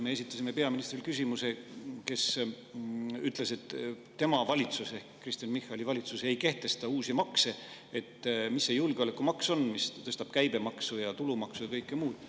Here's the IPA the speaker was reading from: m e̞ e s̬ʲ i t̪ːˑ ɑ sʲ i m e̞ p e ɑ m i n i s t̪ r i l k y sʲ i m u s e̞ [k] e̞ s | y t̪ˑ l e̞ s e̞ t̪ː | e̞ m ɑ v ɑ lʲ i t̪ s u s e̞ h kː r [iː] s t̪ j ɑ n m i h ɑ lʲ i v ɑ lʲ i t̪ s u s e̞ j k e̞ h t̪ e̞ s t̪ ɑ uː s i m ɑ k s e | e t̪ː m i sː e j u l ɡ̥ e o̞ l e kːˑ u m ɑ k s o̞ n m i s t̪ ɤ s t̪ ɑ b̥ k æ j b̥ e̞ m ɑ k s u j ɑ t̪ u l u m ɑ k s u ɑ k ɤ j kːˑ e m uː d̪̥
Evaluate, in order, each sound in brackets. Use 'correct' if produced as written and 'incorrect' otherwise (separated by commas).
correct, incorrect